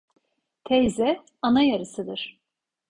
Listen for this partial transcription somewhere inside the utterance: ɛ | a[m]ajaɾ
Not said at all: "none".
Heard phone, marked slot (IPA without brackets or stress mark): n